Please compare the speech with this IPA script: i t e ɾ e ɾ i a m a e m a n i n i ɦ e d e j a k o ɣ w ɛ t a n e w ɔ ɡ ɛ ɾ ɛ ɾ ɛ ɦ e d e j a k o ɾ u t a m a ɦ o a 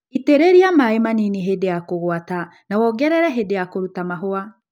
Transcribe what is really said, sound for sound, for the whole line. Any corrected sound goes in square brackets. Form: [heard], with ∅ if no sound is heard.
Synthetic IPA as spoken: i t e ɾ e ɾ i a m a e m a n i n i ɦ e d e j a k o ɣ w [a] t a n [a] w ɔ ɡ ɛ ɾ ɛ ɾ ɛ ɦ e d e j a k o ɾ u t a m a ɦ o a